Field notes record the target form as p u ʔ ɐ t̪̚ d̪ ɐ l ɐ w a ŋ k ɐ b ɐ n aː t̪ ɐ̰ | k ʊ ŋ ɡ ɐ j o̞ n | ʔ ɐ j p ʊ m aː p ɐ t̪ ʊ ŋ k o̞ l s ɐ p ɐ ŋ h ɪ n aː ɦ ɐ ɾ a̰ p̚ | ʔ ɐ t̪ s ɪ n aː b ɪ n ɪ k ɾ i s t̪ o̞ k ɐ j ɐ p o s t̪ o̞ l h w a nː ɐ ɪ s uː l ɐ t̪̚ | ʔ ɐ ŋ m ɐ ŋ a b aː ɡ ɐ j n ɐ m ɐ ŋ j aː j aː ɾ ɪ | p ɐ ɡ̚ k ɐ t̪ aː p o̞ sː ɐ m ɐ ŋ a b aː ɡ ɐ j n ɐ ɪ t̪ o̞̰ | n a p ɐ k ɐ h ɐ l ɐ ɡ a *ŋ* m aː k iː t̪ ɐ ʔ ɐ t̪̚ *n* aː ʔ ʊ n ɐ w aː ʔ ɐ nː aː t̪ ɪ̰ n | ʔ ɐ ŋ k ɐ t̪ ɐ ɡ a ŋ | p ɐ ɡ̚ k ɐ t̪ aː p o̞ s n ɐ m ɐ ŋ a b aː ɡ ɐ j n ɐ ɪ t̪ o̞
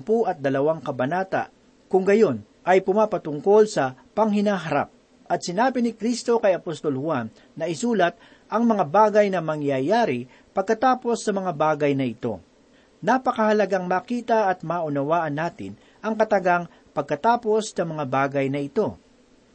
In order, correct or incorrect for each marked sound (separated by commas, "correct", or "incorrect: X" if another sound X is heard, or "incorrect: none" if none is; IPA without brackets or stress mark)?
correct, incorrect: m